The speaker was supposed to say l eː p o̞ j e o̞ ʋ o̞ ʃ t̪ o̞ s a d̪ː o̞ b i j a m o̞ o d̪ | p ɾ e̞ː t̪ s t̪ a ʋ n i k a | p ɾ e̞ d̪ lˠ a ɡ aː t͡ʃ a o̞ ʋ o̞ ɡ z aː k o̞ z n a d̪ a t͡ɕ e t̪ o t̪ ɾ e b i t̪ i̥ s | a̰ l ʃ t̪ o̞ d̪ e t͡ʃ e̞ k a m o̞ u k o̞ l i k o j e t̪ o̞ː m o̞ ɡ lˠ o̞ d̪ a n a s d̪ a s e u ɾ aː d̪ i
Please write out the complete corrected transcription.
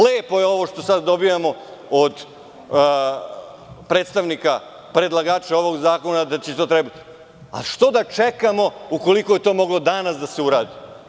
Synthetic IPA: l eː p o̞ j e o̞ ʋ o̞ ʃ t̪ o̞ s a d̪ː o̞ b i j a m o̞ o d̪ | p ɾ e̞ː t̪ s t̪ a ʋ n i k a | p ɾ e̞ d̪ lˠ a ɡ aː t͡ʃ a o̞ ʋ o̞ ɡ z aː k o̞ n a d̪ a t͡ɕ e t̪ o t̪ ɾ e b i t̪ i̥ | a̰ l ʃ t̪ o̞ d̪ a t͡ʃ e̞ k a m o̞ u k o̞ l i k o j e t̪ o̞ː m o̞ ɡ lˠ o̞ d̪ a n a s d̪ a s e u ɾ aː d̪ i